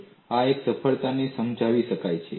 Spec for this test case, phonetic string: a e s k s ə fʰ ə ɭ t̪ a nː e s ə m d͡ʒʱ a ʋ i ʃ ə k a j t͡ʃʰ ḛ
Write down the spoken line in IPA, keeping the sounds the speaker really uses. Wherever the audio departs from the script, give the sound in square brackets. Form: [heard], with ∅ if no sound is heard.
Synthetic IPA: a e [∅] k s ə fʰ ə ɭ t̪ a [n] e s ə m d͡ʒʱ a ʋ i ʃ ə k a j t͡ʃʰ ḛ